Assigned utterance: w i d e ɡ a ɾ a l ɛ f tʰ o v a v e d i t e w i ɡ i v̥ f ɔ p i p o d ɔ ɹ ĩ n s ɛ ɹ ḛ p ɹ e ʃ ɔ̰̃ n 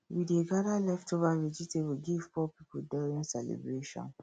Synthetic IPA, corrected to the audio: w i d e ɡ a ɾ a l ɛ f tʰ o v a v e d͡ʒ i t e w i ɡ i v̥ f ɔ p i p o d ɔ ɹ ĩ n s ɛ l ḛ b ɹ e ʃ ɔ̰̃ n